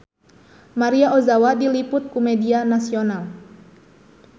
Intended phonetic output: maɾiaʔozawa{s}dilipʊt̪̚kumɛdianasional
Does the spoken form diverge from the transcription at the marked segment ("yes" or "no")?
yes